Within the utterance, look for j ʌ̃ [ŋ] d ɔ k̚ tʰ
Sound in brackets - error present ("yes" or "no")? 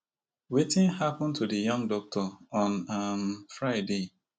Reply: no